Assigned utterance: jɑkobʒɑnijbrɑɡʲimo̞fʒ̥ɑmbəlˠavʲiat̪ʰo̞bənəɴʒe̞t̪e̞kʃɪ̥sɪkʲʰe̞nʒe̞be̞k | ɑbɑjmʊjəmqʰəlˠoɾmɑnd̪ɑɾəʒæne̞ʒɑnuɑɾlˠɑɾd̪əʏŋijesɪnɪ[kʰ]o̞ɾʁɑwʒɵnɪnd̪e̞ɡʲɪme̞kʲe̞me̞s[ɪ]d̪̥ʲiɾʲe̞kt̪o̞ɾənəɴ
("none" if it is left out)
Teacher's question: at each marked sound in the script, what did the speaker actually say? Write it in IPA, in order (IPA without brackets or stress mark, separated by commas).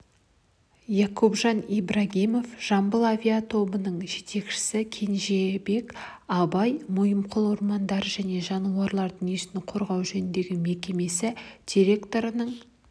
qʰ, ɪ